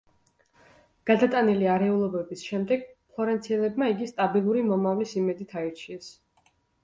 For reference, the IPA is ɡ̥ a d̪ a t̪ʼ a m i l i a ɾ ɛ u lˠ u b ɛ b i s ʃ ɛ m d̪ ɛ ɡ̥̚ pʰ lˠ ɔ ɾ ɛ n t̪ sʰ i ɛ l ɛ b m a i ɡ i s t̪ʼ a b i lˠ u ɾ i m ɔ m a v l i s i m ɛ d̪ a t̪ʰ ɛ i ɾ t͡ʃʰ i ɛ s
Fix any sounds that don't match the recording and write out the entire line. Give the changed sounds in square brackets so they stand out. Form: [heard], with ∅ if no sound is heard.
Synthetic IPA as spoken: ɡ̥ a d̪ a t̪ʼ a [n] i l i a ɾ ɛ u lˠ [ɔ] b ɛ b i s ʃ ɛ m d̪ ɛ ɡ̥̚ pʰ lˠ ɔ ɾ ɛ n t̪ sʰ i ɛ l ɛ b m a i ɡ i s t̪ʼ a b i lˠ u ɾ i m ɔ m a v l i s i m ɛ d̪ [i] t̪ʰ [a] i ɾ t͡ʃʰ i ɛ s